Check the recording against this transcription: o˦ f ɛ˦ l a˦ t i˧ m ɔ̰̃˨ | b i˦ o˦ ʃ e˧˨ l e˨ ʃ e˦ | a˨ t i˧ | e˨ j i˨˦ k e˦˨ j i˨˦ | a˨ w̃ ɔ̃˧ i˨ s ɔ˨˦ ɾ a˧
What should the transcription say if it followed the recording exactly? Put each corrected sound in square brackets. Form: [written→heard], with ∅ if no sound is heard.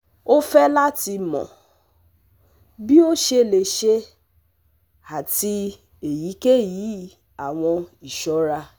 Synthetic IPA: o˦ f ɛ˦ l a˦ t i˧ m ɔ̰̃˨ | b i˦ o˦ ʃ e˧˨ l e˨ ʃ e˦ | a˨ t i˧ | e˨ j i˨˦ k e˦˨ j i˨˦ | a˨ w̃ ɔ̃˧ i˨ [s→ʃ] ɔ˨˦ ɾ a˧